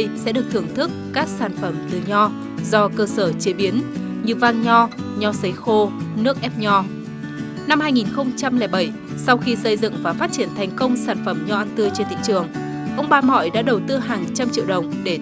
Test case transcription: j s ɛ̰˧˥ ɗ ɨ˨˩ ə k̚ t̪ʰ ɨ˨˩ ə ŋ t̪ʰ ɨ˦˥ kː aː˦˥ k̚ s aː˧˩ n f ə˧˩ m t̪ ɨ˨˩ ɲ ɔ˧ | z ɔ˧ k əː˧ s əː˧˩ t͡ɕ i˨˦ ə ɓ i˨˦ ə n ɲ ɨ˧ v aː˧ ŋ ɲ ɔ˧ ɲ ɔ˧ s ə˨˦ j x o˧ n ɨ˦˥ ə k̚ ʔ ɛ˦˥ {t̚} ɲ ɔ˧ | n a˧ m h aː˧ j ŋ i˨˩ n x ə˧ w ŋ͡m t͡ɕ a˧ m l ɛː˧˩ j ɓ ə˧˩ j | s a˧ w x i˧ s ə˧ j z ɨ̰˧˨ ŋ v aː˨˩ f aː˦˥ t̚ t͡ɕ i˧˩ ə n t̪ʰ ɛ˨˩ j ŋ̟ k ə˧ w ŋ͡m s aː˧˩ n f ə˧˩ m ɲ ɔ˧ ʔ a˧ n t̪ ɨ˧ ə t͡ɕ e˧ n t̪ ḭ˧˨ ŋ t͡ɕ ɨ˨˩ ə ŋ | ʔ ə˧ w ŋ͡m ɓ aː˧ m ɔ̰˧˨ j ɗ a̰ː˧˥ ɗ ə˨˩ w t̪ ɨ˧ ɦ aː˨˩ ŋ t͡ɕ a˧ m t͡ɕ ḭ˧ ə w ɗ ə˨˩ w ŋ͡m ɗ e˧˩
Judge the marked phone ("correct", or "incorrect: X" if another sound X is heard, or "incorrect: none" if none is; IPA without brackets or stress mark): incorrect: p̚